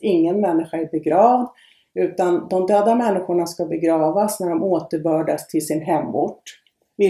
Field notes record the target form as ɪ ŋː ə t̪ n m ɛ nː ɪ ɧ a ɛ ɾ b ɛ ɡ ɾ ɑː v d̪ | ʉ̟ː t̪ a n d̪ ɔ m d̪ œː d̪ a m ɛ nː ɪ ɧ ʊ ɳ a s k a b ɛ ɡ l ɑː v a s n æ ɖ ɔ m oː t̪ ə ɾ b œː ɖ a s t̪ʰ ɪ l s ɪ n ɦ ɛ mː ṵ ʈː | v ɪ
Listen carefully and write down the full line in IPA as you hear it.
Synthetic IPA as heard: ɪ ŋː ə n m ɛ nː ɪ ɧ a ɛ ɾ b ɛ ɡ ɾ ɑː v d̪ | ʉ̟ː t̪ a n d̪ ɔ m d̪ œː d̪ a m ɛ nː ɪ ɧ ʊ ɳ a s k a b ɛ ɡ ɾ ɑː v a s n æ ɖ ɔ m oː t̪ ə ɾ b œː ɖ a s t̪ʰ ɪ l s ɪ n ɦ ɛ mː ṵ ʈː | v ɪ